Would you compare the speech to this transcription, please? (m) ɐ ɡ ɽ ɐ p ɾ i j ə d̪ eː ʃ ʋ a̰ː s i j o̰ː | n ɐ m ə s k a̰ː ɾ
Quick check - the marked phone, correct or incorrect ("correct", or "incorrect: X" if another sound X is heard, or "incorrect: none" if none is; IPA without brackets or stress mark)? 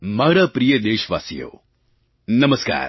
correct